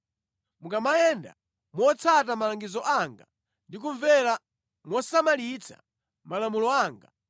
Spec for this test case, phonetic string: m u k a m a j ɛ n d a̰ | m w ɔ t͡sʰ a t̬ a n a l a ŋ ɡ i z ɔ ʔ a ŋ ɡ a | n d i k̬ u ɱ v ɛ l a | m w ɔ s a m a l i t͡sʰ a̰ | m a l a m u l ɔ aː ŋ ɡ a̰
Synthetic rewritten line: m u k a m a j ɛ n d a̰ | m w ɔ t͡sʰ a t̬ a m a l a ŋ ɡ i z ɔ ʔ a ŋ ɡ a | n d i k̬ u ɱ v ɛ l a | m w ɔ s a m a l i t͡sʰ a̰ | m a l a m u l ɔ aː ŋ ɡ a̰